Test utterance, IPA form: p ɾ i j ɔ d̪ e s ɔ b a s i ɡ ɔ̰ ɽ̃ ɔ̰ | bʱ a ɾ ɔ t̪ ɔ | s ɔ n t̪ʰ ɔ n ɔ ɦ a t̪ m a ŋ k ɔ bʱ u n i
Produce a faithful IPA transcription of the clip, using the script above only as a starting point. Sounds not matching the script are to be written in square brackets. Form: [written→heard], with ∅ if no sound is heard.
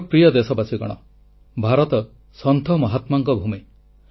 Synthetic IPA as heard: p ɾ i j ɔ d̪ e s ɔ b a s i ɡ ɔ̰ ɽ̃ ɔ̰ | bʱ a ɾ ɔ t̪ ɔ | s ɔ n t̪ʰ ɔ [n→m] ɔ ɦ a t̪ m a ŋ k ɔ bʱ u [n→m] i